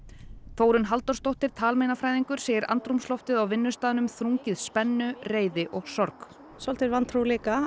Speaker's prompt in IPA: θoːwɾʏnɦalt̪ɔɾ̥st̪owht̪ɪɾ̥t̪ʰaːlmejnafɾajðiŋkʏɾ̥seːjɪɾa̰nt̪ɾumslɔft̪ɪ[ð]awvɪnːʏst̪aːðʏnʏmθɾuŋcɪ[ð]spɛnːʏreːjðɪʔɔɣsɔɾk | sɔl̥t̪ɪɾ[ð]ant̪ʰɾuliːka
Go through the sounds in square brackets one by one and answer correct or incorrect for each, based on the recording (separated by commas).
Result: correct, correct, incorrect